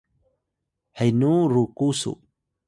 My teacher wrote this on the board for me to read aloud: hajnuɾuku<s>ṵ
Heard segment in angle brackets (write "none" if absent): s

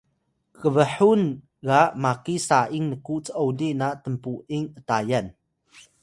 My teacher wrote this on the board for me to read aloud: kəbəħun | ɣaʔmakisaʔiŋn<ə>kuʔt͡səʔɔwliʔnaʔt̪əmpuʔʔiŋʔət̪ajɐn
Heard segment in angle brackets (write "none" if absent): ə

